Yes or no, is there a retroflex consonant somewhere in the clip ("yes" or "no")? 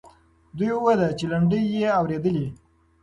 yes